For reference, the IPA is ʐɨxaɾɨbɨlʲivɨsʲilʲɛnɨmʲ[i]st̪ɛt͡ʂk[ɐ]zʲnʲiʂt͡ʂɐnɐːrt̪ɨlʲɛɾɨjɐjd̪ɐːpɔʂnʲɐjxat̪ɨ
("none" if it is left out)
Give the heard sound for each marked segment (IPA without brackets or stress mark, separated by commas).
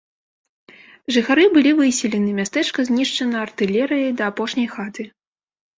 a, ɐ